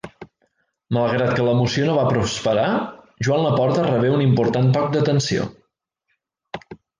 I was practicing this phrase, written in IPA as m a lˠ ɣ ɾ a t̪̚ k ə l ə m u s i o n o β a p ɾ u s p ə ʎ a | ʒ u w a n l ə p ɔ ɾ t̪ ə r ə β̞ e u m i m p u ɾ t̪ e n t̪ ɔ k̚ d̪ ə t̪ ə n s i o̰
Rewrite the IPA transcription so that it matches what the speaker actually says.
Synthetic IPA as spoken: m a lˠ ɣ ɾ a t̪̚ k ə l ə m u s i o n o β a p ɾ u s p ə ɾ a | ʒ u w a n l ə p ɔ ɾ t̪ ə r ə β̞ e u n i m p u ɾ t̪ a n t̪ ɔ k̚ d̪ ə t̪ ə n s i o̰